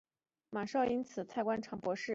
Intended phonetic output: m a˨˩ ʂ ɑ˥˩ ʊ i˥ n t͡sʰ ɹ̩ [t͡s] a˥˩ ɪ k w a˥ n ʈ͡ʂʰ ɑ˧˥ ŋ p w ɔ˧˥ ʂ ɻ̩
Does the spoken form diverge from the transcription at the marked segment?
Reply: yes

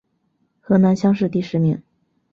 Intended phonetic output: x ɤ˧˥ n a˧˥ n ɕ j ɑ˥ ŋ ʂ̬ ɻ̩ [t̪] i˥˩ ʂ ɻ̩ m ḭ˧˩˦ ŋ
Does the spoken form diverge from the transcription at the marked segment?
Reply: no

